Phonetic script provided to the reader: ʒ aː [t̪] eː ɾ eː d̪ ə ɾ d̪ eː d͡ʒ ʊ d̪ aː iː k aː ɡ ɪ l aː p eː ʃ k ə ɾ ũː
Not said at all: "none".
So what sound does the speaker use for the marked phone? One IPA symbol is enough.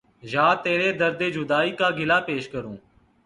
t̪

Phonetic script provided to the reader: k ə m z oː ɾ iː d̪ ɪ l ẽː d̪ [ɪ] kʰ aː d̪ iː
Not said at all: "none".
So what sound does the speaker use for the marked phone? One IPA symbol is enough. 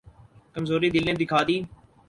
ɪ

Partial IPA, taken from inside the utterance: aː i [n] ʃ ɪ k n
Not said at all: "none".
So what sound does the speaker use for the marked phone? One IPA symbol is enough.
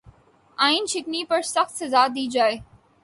n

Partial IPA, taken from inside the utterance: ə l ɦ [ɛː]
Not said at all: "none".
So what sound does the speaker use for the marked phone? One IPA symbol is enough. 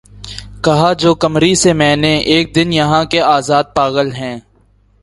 ɛ̃ː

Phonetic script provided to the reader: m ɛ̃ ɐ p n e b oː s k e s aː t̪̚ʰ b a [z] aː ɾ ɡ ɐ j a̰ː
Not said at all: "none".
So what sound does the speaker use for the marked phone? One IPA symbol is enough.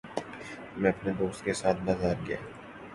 z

